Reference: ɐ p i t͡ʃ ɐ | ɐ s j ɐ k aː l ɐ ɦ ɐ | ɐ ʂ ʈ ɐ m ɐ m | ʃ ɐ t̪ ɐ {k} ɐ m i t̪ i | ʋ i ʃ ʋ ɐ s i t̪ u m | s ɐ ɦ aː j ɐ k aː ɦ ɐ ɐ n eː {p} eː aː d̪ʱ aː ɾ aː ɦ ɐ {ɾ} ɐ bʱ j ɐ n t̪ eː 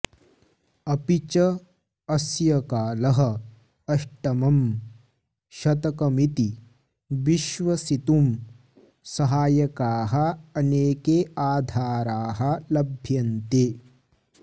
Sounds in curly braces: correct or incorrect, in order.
correct, incorrect, incorrect

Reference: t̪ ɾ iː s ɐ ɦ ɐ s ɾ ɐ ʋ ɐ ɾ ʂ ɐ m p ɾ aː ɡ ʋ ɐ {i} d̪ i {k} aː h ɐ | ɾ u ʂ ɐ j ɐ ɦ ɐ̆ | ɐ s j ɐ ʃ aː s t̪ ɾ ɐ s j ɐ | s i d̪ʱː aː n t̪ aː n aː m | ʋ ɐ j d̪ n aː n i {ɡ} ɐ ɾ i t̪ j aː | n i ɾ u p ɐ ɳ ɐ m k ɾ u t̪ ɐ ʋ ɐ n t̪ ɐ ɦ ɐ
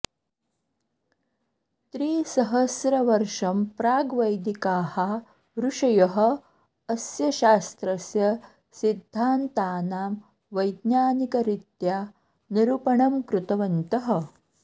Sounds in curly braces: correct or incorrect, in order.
incorrect, correct, incorrect

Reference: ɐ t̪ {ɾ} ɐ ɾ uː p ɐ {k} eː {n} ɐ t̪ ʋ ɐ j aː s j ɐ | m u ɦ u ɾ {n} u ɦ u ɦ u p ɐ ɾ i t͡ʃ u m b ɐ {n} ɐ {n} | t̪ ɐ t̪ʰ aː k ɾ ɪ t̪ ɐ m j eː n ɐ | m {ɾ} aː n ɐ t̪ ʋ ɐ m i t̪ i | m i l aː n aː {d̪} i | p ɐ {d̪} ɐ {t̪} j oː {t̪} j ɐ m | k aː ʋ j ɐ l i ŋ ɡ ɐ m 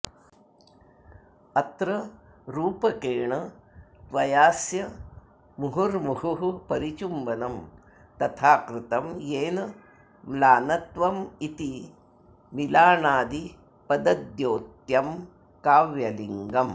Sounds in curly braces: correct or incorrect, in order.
correct, correct, incorrect, incorrect, correct, incorrect, incorrect, correct, correct, incorrect, correct

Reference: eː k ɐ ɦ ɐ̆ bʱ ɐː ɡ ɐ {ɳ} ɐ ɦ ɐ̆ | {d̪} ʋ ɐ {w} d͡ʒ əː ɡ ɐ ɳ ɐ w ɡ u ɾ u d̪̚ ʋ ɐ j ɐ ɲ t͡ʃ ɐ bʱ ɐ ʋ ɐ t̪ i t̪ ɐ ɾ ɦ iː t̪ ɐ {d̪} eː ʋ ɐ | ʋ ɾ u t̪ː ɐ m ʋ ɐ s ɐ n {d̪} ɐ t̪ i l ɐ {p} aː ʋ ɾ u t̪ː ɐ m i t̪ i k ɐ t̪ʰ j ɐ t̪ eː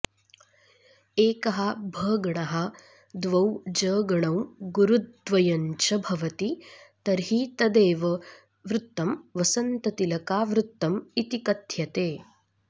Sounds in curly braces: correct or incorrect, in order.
correct, correct, correct, correct, incorrect, incorrect

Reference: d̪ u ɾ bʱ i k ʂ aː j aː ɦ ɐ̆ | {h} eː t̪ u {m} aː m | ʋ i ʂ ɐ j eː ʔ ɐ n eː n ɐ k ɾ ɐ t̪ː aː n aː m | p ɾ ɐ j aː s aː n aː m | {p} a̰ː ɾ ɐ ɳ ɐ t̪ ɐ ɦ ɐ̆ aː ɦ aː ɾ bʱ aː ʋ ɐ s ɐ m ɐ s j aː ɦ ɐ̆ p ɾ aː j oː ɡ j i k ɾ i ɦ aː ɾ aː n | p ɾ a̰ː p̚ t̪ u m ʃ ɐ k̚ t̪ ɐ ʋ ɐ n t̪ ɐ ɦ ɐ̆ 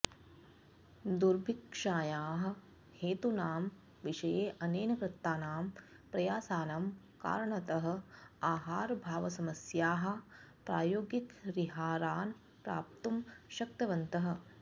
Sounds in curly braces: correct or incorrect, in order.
correct, incorrect, incorrect

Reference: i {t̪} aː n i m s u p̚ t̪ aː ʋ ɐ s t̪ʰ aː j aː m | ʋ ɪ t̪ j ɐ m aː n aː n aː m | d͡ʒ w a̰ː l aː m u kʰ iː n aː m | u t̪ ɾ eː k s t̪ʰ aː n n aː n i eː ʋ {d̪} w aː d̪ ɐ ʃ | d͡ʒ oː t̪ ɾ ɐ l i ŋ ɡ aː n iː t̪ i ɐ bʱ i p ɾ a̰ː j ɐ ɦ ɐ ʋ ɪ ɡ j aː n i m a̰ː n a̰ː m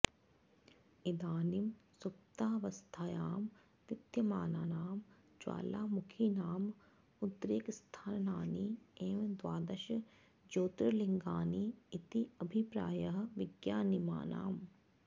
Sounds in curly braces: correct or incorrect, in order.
incorrect, correct

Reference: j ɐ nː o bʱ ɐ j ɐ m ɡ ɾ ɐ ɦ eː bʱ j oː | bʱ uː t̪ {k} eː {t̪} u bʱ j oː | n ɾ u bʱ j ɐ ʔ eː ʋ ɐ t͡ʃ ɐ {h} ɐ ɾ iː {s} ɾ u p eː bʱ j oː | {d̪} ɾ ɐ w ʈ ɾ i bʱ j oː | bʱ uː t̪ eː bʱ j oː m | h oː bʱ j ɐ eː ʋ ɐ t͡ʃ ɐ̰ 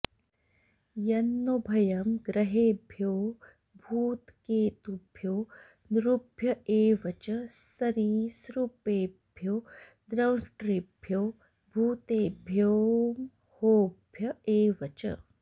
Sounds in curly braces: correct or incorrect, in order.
correct, correct, incorrect, correct, correct

